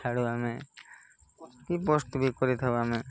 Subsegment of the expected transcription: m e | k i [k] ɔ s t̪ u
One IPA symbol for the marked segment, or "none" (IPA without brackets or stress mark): p